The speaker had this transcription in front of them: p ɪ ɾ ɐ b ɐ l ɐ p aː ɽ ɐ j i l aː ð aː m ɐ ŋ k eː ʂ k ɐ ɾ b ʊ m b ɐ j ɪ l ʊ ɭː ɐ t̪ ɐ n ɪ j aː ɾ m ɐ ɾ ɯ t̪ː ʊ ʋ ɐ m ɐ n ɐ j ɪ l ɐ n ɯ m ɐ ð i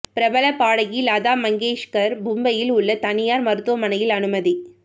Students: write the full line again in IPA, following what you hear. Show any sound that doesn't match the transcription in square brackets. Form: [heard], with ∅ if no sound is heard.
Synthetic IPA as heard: p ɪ ɾ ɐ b ɐ l ɐ p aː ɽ ɐ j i l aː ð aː m ɐ ŋ [ɡ] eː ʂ k ɐ ɾ b ʊ m b ɐ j ɪ l ʊ ɭː ɐ t̪ ɐ n ɪ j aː ɾ m ɐ ɾ ɯ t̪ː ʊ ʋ ɐ m ɐ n ɐ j ɪ l ɐ n ɯ m ɐ ð i